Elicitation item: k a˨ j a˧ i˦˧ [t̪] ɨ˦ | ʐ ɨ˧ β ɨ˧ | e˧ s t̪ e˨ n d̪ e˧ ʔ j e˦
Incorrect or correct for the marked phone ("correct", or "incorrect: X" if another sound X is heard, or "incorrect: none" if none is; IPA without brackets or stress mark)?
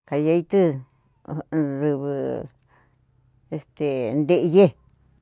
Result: correct